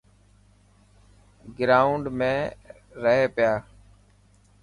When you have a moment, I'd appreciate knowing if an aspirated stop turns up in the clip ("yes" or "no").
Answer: no